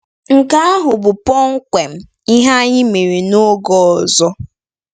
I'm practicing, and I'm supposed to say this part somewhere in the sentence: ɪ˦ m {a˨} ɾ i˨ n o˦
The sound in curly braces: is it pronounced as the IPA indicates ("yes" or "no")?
no